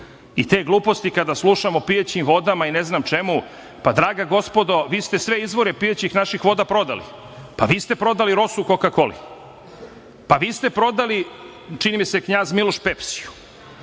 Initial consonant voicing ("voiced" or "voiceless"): voiceless